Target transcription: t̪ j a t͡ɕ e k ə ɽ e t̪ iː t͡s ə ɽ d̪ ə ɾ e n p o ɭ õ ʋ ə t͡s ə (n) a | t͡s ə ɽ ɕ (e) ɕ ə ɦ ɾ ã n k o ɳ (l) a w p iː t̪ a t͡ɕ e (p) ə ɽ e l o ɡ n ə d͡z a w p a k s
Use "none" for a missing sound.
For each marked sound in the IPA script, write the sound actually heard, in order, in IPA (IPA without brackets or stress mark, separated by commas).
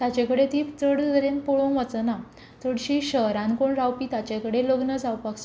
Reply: n, i, ɾ, k